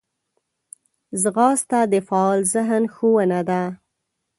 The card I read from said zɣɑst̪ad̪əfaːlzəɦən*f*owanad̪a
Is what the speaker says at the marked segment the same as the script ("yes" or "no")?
no